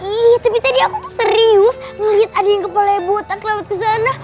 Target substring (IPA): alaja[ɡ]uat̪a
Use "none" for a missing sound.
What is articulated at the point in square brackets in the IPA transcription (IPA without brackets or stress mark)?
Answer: b